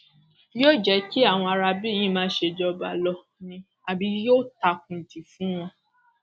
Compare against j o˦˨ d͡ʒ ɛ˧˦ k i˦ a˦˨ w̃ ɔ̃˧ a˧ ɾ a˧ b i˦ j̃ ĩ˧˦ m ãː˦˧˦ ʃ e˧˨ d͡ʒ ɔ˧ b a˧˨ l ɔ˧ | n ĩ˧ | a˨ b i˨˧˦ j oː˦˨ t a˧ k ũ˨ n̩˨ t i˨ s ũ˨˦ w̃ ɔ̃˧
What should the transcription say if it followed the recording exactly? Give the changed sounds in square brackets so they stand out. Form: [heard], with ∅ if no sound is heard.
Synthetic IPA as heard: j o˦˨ d͡ʒ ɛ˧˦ k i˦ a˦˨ w̃ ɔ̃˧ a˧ ɾ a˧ b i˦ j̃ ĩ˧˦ m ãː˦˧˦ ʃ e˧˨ d͡ʒ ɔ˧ b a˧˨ l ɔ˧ | n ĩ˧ | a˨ b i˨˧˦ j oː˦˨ t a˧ k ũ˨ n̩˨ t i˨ [f] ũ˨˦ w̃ ɔ̃˧